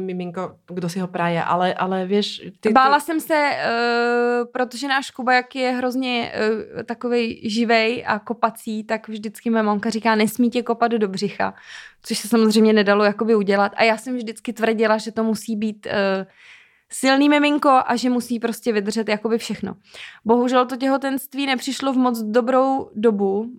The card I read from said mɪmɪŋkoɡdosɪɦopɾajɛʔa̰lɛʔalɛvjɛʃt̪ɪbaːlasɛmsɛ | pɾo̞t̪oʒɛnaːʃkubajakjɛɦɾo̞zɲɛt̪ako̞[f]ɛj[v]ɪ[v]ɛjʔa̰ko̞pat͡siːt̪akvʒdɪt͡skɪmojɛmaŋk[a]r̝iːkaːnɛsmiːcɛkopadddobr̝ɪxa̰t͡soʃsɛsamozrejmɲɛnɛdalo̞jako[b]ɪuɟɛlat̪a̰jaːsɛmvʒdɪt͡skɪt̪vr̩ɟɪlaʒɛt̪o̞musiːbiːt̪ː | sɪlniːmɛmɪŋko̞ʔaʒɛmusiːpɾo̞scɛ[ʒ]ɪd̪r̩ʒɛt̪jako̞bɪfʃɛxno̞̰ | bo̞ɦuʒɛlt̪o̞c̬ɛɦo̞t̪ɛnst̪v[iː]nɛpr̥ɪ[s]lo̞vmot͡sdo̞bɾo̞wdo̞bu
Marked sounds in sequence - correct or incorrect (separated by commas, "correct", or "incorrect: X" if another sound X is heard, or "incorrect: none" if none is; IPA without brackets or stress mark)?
incorrect: v, incorrect: ʒ, correct, correct, correct, incorrect: v, correct, incorrect: ʃ